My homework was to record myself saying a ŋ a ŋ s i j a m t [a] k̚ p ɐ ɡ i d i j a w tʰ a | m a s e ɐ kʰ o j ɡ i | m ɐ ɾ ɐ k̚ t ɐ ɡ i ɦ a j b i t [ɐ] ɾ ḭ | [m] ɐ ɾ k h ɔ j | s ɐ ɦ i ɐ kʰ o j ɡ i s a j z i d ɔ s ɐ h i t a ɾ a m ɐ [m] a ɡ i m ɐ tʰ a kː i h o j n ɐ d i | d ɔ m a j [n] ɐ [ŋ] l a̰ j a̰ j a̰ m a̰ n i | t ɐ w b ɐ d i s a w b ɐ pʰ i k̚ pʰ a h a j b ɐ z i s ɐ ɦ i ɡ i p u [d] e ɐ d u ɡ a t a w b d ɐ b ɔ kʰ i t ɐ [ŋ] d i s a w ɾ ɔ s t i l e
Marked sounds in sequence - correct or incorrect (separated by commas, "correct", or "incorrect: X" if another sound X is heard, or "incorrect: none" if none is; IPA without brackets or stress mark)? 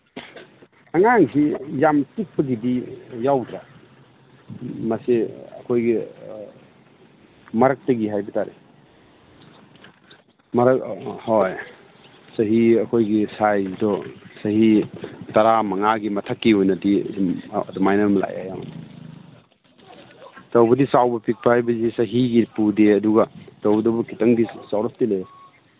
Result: incorrect: i, incorrect: a, correct, incorrect: ŋ, correct, incorrect: m, correct, correct